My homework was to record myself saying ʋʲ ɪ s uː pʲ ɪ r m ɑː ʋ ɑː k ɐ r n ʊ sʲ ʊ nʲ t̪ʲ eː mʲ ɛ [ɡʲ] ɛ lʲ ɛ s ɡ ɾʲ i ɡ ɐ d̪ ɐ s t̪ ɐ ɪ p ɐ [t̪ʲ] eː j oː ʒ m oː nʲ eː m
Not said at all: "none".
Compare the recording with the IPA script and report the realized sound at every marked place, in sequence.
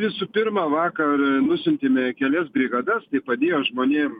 kʲ, d̪ʲ

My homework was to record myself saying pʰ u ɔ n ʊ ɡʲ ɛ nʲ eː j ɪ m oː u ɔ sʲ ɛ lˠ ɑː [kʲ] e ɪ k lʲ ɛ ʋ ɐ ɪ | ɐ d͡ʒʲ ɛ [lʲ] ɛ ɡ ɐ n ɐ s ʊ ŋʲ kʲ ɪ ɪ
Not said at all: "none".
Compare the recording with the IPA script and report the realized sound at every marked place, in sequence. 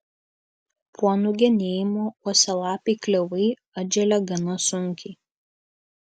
pʲ, lʲ

